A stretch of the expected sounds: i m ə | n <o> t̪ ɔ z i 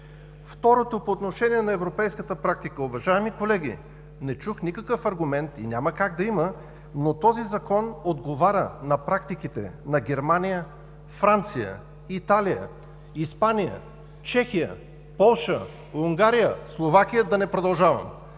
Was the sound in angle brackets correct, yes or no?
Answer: yes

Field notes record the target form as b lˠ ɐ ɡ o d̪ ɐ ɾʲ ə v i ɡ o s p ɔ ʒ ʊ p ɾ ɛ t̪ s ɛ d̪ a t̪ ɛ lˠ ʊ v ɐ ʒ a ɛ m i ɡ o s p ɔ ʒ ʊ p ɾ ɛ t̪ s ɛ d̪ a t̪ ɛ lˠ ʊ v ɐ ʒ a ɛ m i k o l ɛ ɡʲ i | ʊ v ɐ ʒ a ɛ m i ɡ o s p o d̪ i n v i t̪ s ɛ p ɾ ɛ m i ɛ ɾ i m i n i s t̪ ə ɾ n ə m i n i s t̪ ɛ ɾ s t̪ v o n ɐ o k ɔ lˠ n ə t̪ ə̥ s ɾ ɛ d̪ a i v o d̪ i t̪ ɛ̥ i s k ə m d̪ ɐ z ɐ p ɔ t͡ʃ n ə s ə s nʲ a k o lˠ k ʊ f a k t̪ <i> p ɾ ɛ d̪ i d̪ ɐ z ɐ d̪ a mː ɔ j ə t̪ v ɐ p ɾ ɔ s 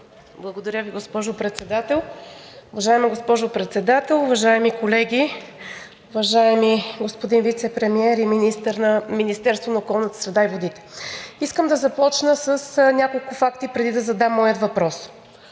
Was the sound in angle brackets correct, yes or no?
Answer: yes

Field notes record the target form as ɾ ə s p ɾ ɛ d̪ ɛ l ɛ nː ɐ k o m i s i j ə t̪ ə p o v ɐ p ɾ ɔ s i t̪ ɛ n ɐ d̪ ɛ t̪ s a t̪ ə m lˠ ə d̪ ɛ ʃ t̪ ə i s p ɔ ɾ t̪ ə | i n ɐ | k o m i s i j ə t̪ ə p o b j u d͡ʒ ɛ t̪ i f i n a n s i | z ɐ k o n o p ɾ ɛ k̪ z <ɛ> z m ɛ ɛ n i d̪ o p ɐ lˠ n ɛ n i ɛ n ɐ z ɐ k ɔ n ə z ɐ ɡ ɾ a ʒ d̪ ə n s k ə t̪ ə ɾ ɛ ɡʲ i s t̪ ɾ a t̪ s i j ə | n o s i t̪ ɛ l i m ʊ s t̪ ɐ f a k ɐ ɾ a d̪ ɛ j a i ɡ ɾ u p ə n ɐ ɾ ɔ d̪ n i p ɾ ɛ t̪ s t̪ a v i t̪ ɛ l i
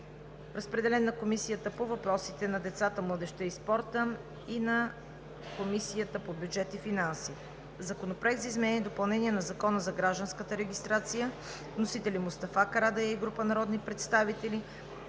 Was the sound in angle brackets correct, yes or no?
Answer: no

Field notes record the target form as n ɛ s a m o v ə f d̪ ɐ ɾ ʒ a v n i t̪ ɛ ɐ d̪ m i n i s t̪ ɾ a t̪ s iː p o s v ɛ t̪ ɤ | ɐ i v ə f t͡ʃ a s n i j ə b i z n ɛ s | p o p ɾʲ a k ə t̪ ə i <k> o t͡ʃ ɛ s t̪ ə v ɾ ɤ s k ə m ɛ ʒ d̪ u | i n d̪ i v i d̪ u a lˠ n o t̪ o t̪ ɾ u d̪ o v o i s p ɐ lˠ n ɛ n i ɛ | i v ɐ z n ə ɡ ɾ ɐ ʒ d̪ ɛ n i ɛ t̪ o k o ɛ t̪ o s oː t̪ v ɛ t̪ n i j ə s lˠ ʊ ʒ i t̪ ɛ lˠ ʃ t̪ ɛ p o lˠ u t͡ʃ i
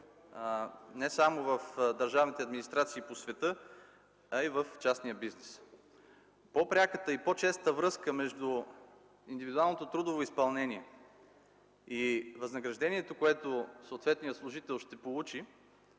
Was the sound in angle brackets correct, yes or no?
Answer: no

